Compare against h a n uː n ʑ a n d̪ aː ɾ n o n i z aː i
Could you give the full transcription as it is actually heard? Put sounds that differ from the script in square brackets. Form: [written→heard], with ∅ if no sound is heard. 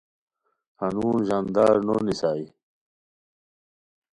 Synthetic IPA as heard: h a n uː n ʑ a n d̪ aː ɾ n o n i [z→s] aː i